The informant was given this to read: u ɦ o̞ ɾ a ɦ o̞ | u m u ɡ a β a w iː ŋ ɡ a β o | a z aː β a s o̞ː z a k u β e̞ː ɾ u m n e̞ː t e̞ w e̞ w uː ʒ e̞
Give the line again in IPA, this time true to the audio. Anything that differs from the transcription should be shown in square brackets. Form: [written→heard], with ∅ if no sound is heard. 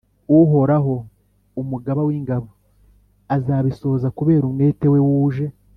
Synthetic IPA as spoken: u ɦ o̞ ɾ a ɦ o̞ | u m u ɡ a β a w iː ŋ ɡ a β o | a z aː β [a→i] s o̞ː z a k u β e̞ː ɾ u m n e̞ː t e̞ w e̞ w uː ʒ e̞